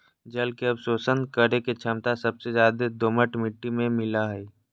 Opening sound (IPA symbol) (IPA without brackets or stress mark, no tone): d͡ʒ